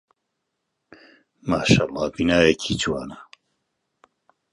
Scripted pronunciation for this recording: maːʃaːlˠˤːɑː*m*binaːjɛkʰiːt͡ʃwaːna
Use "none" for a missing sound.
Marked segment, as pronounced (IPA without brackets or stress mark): none